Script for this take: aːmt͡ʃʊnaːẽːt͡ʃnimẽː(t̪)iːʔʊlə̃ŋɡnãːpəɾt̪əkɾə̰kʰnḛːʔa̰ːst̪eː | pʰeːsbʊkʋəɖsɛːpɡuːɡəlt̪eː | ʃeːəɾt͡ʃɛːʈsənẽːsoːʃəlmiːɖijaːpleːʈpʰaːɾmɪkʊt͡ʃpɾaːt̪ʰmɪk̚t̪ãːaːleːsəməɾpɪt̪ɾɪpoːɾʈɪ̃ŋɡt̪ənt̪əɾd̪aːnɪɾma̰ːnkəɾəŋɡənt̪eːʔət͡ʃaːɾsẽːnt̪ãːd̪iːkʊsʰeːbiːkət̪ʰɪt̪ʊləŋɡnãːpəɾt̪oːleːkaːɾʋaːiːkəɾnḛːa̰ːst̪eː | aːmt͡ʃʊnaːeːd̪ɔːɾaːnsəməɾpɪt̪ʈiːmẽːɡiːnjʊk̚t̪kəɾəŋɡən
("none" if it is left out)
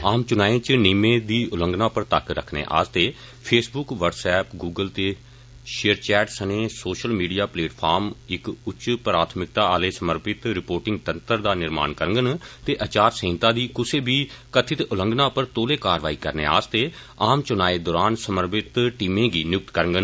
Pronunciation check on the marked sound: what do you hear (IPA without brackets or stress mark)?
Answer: d̪